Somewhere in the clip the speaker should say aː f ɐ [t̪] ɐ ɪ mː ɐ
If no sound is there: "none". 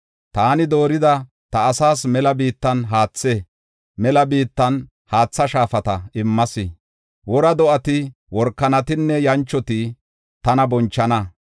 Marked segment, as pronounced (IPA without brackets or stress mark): t̪